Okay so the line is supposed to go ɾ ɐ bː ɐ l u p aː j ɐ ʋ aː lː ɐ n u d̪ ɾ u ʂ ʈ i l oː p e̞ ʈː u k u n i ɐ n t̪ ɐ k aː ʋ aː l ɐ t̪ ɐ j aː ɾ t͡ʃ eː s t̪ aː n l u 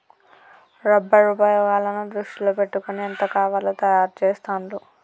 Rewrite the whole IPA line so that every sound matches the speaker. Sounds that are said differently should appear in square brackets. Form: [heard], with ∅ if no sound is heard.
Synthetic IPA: ɾ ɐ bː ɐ [ɾ] u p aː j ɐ ʋ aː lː ɐ n u d̪ ɾ u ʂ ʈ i l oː p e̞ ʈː u k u n i ɐ n t̪ ɐ k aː ʋ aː l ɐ t̪ ɐ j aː ɾ t͡ʃ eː s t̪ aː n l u